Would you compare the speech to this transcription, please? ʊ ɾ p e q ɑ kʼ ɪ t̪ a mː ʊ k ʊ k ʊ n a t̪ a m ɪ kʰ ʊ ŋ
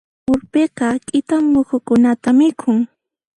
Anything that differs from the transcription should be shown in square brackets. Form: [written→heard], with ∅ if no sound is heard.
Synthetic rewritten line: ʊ ɾ p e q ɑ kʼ ɪ t̪ a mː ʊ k ʊ k ʊ n a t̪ a m ɪ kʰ ʊ ŋ